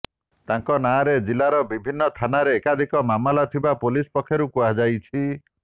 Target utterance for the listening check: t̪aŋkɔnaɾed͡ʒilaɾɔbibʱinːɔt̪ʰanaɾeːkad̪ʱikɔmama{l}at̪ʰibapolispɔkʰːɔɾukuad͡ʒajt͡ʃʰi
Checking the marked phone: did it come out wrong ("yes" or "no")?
no